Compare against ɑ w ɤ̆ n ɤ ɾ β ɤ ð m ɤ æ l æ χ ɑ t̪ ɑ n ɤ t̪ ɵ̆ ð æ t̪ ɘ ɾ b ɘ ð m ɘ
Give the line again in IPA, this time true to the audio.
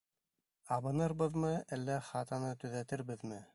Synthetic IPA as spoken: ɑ β ɤ̆ n ɤ ɾ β ɤ ð m ɤ æ lː æ χ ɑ t̪ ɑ n ɤ t̪ ɵ̆ ð æ t̪ ɘ ɾ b ɘ ð m ɘ